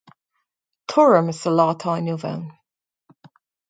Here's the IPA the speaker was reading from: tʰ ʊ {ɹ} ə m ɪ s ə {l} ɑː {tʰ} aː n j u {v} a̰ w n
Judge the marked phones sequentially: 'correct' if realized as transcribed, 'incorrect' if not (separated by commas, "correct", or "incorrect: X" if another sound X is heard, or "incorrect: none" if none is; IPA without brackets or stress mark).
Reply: correct, correct, correct, correct